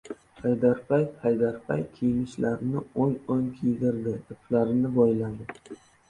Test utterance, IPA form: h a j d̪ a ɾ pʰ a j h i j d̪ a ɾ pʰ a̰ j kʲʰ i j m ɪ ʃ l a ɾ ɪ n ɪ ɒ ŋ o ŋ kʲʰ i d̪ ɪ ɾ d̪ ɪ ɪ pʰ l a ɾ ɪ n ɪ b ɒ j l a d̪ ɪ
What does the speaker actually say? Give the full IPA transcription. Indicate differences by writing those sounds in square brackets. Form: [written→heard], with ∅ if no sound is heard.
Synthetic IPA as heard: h a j d̪ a ɾ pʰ a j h [i→a] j d̪ a ɾ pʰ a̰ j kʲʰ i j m ɪ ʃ l a ɾ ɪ n ɪ [ɒ→o] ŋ o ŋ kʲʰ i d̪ ɪ ɾ d̪ ɪ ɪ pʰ l a ɾ ɪ n ɪ b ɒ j l a d̪ ɪ